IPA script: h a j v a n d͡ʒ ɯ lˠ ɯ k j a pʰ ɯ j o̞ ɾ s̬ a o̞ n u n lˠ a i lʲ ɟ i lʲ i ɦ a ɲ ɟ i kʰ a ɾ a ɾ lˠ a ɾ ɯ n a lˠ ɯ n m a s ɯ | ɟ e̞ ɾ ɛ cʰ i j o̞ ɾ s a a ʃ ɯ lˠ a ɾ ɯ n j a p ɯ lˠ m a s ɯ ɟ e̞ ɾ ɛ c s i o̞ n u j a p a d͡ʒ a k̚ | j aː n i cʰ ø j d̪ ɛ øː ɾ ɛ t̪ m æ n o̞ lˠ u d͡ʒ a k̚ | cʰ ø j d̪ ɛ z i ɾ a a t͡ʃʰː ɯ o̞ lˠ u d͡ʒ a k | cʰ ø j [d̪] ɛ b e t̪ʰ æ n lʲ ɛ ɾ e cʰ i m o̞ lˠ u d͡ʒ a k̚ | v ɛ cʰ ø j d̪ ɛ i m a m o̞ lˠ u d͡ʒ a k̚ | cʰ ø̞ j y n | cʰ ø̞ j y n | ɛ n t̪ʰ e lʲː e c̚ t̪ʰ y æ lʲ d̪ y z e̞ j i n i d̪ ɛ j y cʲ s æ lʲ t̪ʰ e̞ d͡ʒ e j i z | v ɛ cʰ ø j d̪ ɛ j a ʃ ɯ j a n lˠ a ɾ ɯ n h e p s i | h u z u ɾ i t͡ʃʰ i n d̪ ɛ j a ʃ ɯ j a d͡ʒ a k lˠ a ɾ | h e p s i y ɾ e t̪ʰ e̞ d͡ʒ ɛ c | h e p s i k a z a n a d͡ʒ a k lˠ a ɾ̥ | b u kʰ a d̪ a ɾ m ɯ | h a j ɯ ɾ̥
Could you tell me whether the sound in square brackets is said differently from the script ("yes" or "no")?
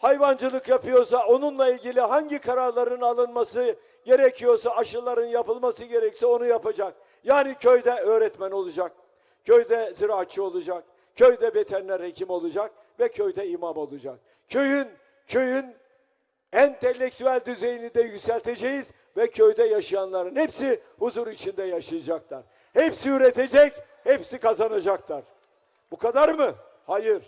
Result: no